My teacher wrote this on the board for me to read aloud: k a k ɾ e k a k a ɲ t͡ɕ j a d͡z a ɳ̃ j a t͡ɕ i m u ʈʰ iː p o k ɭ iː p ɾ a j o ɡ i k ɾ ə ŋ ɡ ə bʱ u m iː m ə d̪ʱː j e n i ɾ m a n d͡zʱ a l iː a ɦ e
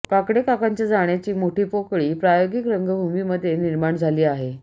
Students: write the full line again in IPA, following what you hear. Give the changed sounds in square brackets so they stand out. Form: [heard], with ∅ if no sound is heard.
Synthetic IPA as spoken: k a k [ɽ] e k a k a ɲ t͡ɕ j a d͡z a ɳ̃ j a t͡ɕ [iː] m [o] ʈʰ iː p o k ɭ iː p ɾ a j o ɡ i k ɾ ə ŋ ɡ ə bʱ u m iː m ə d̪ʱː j e n i ɾ m a [ɳ] d͡zʱ a l iː a ɦ e